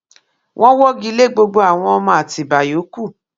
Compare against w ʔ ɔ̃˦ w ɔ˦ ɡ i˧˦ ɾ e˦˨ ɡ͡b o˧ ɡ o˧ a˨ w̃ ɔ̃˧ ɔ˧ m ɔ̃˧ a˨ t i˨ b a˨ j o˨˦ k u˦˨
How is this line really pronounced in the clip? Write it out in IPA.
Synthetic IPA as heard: w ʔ ɔ̃˦ w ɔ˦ ɡ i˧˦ l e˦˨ ɡ͡b o˧ ɡ͡b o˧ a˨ w̃ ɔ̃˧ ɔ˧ m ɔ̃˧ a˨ t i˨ b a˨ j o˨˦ k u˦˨